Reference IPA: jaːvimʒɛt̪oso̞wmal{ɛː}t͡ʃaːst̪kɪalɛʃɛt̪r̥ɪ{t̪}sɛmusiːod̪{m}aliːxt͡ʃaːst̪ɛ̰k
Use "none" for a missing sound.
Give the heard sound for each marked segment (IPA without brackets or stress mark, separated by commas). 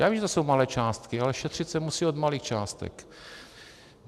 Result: ɛː, t̪, m